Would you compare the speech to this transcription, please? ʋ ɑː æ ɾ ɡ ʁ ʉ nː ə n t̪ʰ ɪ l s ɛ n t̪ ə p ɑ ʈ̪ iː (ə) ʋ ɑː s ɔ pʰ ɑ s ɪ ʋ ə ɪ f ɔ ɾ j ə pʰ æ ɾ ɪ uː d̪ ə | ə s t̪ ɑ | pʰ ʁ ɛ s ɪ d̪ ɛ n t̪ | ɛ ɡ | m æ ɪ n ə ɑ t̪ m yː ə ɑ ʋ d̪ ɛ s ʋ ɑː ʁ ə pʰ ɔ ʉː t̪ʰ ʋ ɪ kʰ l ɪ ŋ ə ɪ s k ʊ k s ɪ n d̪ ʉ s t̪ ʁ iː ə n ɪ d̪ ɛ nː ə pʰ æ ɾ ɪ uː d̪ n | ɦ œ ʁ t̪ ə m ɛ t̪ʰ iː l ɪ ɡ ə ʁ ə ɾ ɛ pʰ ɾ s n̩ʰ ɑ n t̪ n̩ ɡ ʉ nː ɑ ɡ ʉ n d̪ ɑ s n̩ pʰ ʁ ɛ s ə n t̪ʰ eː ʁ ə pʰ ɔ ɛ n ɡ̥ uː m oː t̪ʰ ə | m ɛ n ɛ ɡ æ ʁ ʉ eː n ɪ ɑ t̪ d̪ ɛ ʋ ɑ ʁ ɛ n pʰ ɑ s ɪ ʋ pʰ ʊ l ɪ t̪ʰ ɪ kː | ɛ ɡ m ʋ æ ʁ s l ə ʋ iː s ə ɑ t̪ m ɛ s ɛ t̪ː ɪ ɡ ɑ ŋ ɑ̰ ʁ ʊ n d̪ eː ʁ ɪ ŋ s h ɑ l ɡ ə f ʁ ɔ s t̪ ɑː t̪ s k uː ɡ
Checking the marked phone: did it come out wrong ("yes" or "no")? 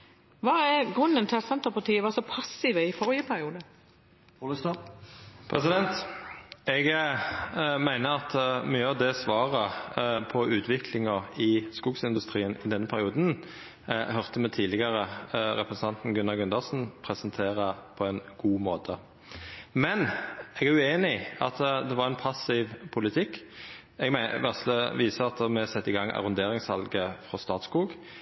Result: no